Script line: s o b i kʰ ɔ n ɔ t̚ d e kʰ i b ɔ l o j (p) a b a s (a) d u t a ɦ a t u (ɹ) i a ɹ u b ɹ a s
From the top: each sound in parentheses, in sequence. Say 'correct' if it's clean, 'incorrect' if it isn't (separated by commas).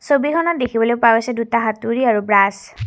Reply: correct, incorrect, correct